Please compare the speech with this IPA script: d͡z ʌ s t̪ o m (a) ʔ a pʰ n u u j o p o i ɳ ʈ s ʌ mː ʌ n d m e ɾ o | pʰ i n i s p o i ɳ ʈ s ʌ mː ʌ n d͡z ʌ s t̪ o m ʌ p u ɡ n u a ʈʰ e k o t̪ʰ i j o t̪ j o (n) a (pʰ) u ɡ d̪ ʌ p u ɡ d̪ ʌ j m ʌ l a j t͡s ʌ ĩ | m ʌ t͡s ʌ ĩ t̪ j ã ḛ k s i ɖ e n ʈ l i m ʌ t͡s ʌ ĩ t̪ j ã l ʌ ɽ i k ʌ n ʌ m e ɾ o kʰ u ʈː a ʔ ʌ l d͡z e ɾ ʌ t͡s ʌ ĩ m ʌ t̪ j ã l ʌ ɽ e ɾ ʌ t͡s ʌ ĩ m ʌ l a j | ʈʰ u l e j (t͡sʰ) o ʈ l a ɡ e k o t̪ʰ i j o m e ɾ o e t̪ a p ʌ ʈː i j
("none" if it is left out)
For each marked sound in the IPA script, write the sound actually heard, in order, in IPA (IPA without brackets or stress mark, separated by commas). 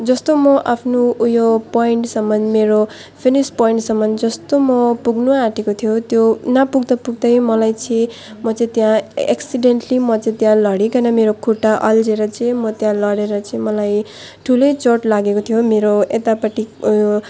ʌ, n, p, t͡s